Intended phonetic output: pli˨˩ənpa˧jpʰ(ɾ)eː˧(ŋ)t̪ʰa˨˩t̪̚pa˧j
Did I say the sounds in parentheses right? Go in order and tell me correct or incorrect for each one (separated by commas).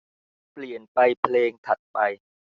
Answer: incorrect, correct